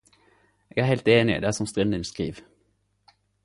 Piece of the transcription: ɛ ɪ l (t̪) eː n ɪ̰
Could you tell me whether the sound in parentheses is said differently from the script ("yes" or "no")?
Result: no